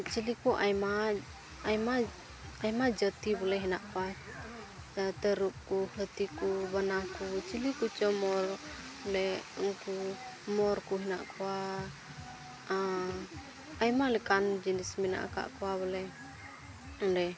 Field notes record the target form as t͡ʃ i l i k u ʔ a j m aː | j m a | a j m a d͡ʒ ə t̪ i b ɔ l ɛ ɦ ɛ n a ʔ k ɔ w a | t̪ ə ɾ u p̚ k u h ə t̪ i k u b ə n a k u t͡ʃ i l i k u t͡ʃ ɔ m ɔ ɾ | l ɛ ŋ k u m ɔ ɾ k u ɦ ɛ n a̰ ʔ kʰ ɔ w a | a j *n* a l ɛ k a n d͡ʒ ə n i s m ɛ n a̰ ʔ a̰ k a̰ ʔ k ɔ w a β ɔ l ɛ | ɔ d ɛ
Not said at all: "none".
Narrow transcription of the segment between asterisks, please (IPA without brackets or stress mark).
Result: m